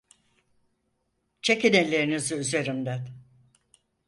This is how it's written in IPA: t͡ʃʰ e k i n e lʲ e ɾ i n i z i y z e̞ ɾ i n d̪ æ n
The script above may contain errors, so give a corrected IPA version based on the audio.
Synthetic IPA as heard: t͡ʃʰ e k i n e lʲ e ɾ i n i z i y z e̞ ɾ i m d̪ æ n